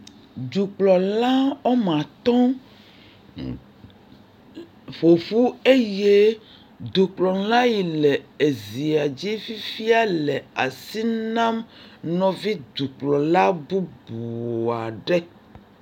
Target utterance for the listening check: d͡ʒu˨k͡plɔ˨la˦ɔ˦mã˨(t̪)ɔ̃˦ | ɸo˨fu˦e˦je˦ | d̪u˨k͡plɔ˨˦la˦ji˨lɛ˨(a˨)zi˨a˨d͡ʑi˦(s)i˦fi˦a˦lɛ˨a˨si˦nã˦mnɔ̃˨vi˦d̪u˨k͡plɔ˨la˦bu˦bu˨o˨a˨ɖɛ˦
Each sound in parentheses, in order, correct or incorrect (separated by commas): correct, incorrect, incorrect